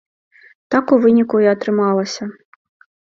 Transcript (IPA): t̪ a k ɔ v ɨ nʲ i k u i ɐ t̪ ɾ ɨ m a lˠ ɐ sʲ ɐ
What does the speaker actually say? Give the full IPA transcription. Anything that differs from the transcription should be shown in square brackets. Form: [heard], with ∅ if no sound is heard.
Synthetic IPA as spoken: t̪ a k [u] v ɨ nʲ i k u i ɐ t̪ ɾ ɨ m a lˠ ɐ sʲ ɐ